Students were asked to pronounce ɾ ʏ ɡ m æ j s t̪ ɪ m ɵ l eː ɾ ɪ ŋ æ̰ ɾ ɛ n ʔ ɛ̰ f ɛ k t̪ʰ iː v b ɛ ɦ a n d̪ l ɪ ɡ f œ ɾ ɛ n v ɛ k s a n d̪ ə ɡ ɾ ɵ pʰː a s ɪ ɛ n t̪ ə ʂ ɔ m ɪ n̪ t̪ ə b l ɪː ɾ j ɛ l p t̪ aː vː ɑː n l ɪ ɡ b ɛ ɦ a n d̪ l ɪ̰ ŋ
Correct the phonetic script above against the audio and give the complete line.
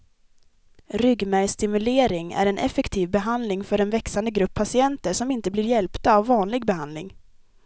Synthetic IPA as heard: ɾ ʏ ɡ m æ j s t̪ ɪ m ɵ l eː ɾ ɪ ŋ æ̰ ɾ ɛ n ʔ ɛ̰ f ɛ k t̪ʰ iː v b ɛ ɦ a n d̪ l ɪ ŋ f œ ɾ ɛ n v ɛ k s a n d̪ ə ɡ ɾ ɵ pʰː a s ɪ ɛ n t̪ ə ʂ ɔ m ɪ n̪ t̪ ə b l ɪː ɾ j ɛ l p t̪ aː vː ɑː n l ɪ ɡ b ɛ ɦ a n d̪ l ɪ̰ ŋ